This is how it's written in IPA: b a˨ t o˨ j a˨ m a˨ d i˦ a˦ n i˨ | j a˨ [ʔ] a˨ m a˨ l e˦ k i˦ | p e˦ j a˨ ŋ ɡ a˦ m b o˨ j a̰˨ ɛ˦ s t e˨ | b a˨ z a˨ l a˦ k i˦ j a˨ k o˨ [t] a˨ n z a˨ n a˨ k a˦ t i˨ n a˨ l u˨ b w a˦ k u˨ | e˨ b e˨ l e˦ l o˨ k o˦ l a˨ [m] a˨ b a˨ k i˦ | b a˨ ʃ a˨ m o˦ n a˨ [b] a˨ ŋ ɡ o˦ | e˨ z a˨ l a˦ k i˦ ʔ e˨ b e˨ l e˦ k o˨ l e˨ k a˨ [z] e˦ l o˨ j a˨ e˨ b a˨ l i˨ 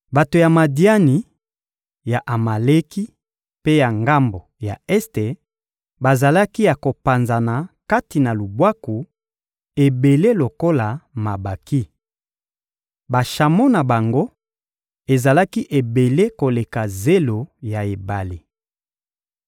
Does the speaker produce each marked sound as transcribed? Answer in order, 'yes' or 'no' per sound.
yes, no, yes, yes, yes

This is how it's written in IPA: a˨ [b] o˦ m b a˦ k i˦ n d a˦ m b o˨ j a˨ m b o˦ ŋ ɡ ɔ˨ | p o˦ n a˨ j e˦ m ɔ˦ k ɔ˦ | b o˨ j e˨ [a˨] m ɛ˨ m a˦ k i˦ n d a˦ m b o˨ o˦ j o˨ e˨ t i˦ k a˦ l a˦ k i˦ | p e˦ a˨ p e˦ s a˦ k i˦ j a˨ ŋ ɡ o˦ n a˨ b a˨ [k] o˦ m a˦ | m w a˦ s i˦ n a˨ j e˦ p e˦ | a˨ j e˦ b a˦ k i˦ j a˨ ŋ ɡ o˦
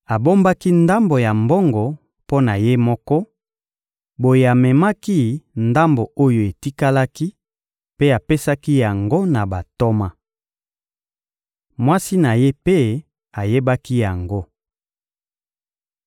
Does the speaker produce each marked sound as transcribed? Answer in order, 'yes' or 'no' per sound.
yes, yes, no

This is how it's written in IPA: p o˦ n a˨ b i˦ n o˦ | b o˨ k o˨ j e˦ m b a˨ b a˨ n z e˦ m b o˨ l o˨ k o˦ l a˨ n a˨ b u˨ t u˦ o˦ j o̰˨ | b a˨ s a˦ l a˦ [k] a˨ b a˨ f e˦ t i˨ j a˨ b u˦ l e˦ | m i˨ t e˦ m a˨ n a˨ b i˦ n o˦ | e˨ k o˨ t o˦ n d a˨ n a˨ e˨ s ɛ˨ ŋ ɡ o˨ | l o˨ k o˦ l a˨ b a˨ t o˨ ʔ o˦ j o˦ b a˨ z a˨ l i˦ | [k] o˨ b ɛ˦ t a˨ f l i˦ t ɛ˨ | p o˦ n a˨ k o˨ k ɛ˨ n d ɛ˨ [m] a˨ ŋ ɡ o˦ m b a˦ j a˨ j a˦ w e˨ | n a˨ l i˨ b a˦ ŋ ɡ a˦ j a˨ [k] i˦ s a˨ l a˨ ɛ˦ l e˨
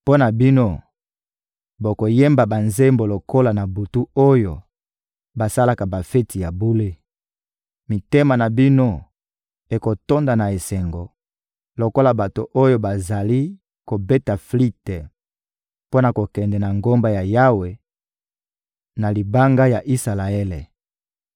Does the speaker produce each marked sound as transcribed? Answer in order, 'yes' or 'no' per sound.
yes, yes, no, no

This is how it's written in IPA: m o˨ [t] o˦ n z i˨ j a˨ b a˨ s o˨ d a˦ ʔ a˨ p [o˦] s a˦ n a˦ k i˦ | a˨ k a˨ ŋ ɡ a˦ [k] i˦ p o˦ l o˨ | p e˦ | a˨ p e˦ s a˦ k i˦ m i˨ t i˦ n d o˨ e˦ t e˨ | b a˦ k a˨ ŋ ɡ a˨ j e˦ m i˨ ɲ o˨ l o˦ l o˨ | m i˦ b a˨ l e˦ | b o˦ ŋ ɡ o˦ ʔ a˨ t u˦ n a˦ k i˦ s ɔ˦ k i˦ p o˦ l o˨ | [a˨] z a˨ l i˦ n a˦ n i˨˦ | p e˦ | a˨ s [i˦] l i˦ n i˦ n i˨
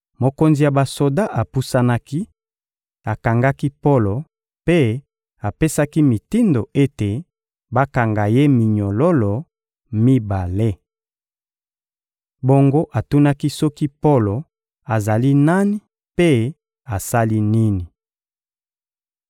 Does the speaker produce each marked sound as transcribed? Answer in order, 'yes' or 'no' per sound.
no, no, yes, yes, no

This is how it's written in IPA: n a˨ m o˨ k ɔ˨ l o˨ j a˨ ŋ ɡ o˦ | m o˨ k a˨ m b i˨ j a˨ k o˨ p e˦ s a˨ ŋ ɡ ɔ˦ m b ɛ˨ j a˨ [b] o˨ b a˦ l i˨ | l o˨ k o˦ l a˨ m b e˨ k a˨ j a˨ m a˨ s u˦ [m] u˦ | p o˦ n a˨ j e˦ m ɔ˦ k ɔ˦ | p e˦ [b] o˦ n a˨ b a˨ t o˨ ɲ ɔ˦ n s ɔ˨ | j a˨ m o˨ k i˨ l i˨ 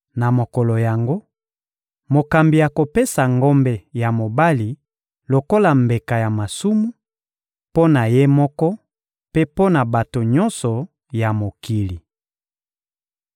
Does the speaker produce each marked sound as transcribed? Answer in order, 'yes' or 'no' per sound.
no, yes, no

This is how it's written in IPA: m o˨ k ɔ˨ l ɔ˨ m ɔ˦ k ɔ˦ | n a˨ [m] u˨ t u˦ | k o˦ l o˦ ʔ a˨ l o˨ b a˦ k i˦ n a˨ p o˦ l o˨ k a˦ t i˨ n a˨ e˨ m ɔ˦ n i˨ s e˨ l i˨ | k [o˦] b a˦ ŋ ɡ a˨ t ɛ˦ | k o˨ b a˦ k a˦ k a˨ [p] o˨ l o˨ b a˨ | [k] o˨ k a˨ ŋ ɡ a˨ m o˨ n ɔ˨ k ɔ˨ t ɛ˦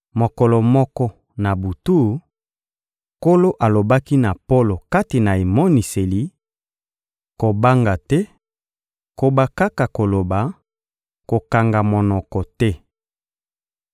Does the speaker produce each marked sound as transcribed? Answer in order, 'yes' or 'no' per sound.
no, no, no, yes

